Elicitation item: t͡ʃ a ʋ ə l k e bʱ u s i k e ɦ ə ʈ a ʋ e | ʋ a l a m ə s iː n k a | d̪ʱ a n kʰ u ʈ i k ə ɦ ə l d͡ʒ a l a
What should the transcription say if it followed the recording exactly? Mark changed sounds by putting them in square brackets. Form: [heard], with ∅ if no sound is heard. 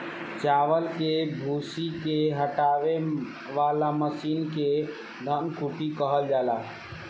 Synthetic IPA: t͡ʃ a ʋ ə l k e bʱ u s i k e ɦ ə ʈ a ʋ e | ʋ a l a m ə s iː n k [e] | d̪ʱ [ə] n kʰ u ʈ i k ə ɦ ə l d͡ʒ a l a

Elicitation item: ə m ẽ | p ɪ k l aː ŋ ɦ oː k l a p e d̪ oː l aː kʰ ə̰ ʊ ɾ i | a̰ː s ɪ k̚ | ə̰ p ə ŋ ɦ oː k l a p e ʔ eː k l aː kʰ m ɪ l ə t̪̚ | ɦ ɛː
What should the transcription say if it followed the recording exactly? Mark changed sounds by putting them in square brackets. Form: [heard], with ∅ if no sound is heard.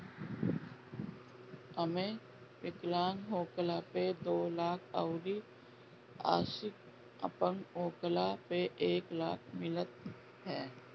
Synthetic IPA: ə m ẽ | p ɪ k l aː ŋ ɦ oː k l a p e d̪ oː l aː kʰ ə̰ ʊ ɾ i | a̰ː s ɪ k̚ | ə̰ p ə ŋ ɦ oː k l a p e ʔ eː k l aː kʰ m ɪ l ə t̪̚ | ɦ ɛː

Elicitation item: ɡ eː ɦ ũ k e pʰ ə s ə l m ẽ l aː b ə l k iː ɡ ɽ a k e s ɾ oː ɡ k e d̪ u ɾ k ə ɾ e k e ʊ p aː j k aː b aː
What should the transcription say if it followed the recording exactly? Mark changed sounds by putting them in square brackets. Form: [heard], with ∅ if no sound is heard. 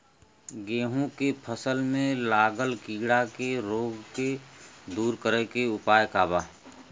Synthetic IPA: ɡ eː ɦ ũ k e pʰ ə s ə l m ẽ l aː [ɡ] ə l k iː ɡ ɽ a k e [∅] ɾ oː ɡ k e d̪ [uː] ɾ k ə ɾ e k e ʊ p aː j k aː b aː

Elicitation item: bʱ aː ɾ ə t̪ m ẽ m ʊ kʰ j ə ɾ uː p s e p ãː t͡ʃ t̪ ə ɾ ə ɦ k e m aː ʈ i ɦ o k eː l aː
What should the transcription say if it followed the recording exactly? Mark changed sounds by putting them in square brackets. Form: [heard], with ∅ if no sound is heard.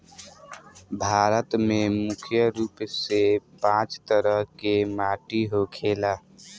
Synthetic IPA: bʱ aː ɾ ə t̪ m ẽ m ʊ kʰ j ə ɾ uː p s e p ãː t͡ʃ t̪ ə ɾ ə ɦ k e m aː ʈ i ɦ o [kʰ] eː l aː

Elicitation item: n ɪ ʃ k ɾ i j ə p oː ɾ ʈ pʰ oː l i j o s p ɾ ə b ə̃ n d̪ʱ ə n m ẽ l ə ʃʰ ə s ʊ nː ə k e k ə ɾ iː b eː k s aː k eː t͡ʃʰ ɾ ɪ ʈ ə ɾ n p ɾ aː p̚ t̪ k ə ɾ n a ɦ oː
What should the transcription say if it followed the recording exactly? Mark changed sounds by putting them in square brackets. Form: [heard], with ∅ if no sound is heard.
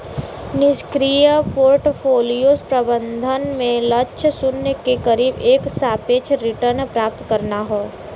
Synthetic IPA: n ɪ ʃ k ɾ i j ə p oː ɾ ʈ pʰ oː l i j o s p ɾ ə b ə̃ n d̪ʱ ə n m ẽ l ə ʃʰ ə s ʊ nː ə k e k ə ɾ iː b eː k s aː [p] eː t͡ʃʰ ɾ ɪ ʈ ə ɾ n p ɾ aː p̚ t̪ k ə ɾ n a ɦ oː

